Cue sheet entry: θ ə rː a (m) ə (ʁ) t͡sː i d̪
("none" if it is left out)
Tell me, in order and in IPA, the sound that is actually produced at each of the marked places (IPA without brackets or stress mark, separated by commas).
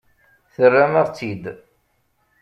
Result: m, ʁ